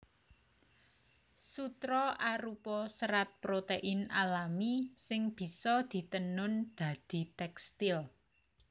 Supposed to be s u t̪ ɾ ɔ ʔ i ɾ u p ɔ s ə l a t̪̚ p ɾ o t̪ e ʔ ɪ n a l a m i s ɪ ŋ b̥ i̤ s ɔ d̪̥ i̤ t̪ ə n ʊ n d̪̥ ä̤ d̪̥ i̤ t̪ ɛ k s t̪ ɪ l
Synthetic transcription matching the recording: s u t̪ ɾ ɔ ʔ a ɾ u p ɔ s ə ɾ a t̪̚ p ɾ o t̪ e ʔ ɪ n a l a m i s ɪ ŋ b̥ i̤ s ɔ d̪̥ i̤ t̪ ə n ʊ n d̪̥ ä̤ d̪̥ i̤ t̪ ɛ k s t̪ ɪ l